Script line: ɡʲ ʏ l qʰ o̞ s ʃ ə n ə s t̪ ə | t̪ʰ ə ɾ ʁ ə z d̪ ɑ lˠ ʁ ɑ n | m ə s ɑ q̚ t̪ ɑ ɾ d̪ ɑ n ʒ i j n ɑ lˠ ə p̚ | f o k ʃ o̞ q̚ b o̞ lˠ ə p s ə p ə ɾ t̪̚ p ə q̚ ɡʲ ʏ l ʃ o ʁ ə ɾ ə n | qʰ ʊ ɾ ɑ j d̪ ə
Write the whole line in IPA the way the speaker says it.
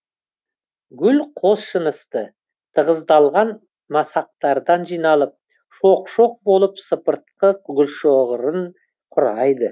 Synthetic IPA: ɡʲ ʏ l qʰ o̞ s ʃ ə n ə s t̪ ə | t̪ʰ ə ʁ ə z d̪ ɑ lˠ ʁ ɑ n | m ɑ s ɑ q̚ t̪ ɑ ɾ d̪ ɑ n ʒ i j n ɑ lˠ ə p̚ | ʃ o q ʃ o̞ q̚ b o̞ lˠ ə p s ə p ə ɾ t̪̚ q ə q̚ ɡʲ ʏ l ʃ o ʁ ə ɾ ə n | qʰ ʊ ɾ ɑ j d̪ ə